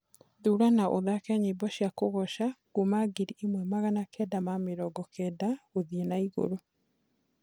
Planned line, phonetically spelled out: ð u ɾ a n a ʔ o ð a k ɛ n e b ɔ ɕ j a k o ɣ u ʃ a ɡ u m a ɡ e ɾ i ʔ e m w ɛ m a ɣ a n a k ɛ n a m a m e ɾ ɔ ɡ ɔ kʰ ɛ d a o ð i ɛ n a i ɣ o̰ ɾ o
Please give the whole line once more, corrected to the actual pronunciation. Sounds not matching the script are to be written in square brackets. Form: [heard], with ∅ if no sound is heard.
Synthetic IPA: ð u ɾ a n a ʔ o ð a k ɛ [ɲ] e b ɔ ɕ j a k o ɣ [ɔ] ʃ a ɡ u m a ɡ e ɾ i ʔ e m w ɛ m a ɣ a n a k ɛ [d] a m a m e ɾ ɔ ɡ ɔ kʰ ɛ d a o ð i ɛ n a i ɣ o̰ ɾ o